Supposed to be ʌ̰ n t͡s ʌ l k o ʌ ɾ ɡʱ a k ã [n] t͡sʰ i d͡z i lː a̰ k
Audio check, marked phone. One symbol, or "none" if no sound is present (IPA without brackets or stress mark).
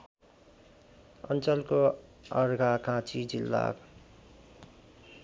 none